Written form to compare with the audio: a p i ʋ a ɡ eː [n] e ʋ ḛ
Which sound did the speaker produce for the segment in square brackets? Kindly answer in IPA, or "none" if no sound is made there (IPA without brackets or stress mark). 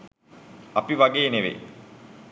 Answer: n